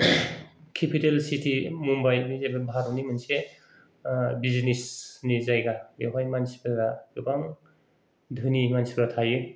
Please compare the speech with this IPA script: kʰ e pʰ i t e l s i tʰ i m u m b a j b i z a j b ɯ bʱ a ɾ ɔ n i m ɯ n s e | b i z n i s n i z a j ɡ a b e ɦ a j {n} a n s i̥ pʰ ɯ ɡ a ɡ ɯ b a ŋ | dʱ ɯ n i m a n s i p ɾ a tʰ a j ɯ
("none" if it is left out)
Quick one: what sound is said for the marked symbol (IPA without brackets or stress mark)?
m